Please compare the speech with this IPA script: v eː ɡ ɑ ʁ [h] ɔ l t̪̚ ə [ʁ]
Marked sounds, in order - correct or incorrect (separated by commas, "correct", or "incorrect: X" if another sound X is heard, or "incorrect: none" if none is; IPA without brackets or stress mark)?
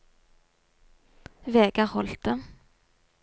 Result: correct, incorrect: none